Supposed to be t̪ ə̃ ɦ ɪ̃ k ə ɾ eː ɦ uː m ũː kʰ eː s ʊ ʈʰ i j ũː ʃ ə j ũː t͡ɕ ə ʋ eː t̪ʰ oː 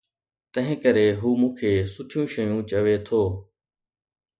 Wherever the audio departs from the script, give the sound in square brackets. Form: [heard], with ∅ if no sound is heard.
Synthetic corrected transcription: t̪ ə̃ ɦ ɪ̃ k ə ɾ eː ɦ uː m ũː kʰ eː s ʊ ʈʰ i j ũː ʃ ə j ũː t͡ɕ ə ʋ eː t̪ʰ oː